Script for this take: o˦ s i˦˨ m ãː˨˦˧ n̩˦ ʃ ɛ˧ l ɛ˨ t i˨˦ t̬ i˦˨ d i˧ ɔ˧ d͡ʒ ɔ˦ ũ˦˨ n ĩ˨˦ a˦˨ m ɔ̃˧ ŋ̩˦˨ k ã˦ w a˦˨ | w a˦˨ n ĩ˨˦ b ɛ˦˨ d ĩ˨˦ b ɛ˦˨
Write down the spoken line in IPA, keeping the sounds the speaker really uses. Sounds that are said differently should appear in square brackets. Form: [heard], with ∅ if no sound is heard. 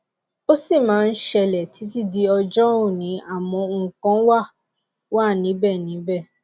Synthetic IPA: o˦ s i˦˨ m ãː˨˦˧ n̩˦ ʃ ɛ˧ l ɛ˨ t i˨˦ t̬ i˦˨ d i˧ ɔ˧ d͡ʒ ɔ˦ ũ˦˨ n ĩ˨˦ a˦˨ m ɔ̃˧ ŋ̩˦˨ k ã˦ w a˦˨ | w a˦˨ n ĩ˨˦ b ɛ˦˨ [n] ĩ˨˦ b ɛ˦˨